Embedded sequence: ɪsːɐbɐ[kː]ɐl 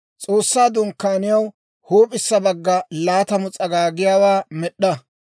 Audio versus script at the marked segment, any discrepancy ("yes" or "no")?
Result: yes